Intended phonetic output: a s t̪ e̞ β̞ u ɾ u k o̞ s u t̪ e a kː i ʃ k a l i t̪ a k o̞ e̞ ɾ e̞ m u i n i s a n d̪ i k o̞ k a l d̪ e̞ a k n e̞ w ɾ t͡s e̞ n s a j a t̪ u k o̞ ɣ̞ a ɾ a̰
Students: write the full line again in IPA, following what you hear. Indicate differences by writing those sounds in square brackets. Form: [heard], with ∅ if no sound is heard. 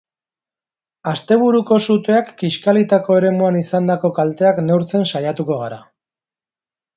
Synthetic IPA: a s t̪ e̞ β̞ u ɾ u k o̞ s u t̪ e a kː i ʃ k a l i t̪ a k o̞ e̞ ɾ e̞ m u [a] n i s a n d̪ [a] k o̞ k a l [t̪] e̞ a k n e̞ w ɾ t͡s e̞ n s a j a t̪ u k o̞ ɣ̞ a ɾ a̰